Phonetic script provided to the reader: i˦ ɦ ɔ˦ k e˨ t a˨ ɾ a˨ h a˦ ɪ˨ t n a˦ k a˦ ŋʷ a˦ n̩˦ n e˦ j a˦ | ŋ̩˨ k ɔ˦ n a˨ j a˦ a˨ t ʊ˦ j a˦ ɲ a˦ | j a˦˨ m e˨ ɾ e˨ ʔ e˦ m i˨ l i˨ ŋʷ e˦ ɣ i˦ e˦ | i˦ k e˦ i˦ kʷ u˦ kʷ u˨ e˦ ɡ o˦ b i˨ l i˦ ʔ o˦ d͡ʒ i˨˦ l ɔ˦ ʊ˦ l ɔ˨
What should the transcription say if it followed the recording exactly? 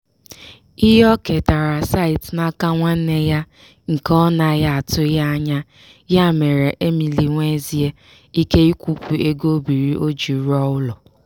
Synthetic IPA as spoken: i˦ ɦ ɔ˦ k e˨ t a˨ ɾ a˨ s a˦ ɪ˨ t n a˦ k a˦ ŋʷ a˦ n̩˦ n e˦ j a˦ | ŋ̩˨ k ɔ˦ n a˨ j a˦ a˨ t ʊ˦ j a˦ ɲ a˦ | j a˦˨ m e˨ ɾ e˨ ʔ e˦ m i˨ l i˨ ŋʷ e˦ z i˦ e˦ | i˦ k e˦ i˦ kʷ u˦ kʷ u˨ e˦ ɡ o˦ b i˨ ɾ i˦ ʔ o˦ d͡ʒ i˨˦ ɾ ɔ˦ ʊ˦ l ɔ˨

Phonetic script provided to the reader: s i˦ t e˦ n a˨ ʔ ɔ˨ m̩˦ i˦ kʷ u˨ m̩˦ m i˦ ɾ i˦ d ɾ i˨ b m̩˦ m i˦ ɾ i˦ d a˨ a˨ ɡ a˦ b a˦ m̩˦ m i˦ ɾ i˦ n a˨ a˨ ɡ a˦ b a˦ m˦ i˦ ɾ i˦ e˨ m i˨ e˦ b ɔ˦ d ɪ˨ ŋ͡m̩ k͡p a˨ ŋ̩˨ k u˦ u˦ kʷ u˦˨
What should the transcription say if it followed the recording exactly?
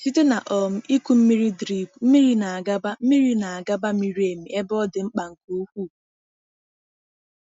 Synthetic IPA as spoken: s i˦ t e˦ n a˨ ʔ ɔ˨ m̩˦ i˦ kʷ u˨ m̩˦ m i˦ ɾ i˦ d ɾ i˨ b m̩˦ m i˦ ɾ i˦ n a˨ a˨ ɡ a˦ b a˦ m̩˦ m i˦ ɾ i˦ n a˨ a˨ ɡ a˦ b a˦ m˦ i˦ ɾ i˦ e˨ m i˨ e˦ b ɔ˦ d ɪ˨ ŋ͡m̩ k͡p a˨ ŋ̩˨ k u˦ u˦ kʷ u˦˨

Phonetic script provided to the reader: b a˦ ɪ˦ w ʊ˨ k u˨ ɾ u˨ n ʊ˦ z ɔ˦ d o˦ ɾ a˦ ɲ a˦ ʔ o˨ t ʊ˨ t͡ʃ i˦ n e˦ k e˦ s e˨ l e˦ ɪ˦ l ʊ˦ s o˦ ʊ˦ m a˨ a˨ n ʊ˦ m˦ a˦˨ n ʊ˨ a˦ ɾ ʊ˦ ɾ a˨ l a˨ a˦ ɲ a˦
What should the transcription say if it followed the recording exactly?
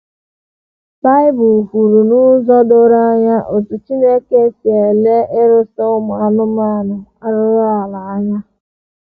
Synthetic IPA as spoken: b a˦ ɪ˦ b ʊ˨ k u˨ ɾ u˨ n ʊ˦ z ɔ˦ d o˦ ɾ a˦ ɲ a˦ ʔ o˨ t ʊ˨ t͡ʃ i˦ n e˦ k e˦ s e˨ l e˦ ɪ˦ ɾ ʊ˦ s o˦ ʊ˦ m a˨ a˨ n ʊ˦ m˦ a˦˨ n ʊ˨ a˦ ɾ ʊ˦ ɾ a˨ l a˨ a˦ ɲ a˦

